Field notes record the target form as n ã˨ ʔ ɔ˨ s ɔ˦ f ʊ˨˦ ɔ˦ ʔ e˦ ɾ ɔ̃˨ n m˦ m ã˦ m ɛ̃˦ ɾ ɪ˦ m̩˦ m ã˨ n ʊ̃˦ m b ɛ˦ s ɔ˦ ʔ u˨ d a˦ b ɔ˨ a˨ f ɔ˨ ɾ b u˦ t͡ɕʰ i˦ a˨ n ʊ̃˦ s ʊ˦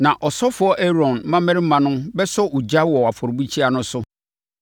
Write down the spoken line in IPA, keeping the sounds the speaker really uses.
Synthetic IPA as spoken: n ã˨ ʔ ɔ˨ s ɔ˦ f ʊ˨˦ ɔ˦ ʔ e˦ ɾ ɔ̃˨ n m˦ m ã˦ m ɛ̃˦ ɾ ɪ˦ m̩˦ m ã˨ n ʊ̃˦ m b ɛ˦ s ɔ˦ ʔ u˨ d͡ʑ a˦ w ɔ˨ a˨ f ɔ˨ ɾ b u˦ t͡ɕʰ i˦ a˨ n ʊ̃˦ s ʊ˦